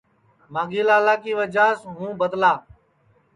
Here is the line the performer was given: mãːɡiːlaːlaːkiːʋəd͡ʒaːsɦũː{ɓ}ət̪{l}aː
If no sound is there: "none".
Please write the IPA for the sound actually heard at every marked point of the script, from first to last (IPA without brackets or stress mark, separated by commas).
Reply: b, l